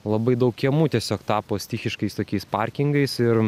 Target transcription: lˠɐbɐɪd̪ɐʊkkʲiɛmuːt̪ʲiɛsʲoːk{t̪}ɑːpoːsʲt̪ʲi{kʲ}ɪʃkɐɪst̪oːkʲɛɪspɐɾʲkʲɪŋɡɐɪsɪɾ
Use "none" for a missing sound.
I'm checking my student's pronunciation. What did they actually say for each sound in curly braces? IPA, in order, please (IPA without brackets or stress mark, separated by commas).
t̪, xʲ